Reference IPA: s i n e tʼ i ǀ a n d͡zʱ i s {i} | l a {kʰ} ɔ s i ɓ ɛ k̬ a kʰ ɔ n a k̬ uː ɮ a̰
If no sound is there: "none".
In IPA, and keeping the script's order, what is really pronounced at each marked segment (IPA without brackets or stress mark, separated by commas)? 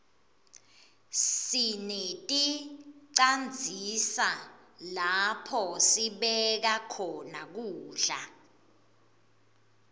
a, pʰ